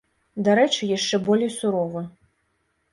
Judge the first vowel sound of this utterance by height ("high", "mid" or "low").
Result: low